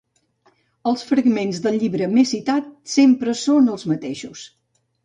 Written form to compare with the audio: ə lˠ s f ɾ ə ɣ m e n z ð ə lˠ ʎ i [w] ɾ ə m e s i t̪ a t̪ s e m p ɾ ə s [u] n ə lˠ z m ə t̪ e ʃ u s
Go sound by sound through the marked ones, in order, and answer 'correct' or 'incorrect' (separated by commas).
incorrect, incorrect